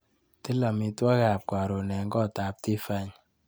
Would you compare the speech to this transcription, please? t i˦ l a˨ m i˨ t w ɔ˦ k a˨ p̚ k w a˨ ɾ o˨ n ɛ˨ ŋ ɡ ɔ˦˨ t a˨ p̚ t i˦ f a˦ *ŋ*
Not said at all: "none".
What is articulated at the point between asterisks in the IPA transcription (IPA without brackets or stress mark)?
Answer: ɲ